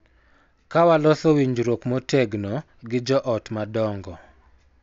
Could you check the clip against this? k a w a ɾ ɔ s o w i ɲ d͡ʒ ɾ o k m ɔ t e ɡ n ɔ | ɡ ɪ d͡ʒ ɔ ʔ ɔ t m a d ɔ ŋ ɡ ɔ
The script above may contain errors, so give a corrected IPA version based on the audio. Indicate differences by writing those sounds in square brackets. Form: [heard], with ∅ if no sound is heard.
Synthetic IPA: k a w a [l] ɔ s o w i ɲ d͡ʒ ɾ o k m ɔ t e ɡ n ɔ | ɡ ɪ d͡ʒ ɔ ʔ ɔ t m a d ɔ ŋ ɡ ɔ